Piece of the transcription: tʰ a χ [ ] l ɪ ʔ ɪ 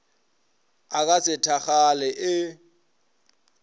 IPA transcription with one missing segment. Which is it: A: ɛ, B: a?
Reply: B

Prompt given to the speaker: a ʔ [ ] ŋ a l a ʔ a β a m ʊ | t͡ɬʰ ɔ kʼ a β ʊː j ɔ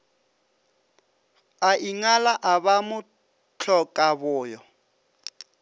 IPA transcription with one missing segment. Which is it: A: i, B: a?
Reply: A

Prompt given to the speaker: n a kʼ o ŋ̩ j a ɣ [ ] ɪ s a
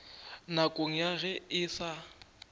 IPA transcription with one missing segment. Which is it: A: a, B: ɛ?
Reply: B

